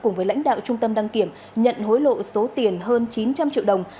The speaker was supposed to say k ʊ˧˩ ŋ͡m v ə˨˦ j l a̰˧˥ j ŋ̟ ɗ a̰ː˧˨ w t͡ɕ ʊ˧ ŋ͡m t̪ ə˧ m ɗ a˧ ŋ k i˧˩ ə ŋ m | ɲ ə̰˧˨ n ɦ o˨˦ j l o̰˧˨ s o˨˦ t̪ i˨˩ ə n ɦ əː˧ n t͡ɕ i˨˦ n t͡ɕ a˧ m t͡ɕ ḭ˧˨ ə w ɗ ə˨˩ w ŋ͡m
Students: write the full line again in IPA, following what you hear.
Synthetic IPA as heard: k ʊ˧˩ ŋ͡m v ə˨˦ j l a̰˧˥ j ŋ̟ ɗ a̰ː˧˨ w t͡ɕ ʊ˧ ŋ͡m t̪ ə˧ m ɗ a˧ ŋ k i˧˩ ə m | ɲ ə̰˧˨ n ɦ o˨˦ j l o̰˧˨ s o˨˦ t̪ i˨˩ ə n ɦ əː˧ n t͡ɕ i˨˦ n t͡ɕ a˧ m t͡ɕ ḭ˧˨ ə w ɗ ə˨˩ w ŋ͡m